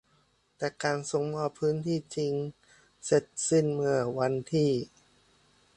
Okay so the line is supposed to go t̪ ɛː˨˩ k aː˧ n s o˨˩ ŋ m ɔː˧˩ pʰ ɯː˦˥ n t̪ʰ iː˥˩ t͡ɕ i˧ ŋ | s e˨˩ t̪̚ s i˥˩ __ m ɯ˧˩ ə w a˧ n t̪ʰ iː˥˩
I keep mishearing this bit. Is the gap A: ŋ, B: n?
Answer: B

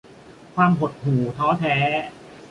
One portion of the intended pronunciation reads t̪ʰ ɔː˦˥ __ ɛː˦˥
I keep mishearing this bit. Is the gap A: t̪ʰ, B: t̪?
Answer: A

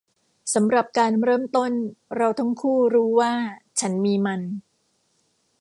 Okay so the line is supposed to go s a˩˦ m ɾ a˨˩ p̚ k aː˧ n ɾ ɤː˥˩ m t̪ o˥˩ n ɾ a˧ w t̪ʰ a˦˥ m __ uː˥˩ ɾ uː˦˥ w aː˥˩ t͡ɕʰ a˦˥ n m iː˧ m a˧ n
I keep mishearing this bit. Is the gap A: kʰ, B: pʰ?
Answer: A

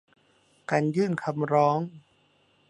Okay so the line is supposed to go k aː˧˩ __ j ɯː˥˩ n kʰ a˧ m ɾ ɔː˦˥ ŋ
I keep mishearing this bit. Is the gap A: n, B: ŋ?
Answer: A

